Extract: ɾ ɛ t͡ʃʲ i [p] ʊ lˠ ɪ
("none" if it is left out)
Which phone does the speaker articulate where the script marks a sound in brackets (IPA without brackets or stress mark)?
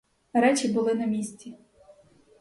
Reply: b